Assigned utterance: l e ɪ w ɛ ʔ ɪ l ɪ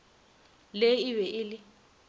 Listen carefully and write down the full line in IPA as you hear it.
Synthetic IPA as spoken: l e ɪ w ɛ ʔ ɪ l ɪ